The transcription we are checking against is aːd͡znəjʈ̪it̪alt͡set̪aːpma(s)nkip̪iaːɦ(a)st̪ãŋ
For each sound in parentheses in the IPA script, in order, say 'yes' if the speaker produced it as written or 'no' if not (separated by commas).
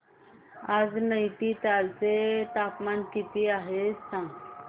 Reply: no, no